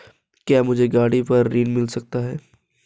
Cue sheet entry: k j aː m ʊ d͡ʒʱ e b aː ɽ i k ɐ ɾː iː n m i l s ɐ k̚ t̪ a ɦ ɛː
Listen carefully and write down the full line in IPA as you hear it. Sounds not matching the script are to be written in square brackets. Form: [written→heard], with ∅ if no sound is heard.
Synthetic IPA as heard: k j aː m ʊ d͡ʒʱ e [b→ɡ] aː ɽ i [k→p] ɐ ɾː iː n m [i→ɪ] l s ɐ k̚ t̪ a ɦ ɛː